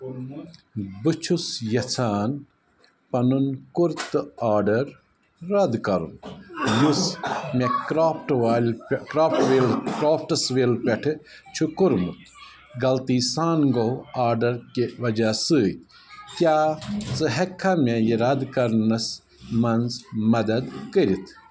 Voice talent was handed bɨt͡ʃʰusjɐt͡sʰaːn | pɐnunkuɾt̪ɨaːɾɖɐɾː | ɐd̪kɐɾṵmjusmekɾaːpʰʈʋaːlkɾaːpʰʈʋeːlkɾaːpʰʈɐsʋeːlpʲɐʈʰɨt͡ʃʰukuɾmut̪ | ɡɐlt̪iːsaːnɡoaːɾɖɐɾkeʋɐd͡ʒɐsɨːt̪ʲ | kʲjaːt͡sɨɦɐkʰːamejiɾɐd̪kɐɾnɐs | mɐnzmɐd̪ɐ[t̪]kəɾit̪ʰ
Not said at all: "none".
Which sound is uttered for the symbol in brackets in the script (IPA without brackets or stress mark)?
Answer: d̪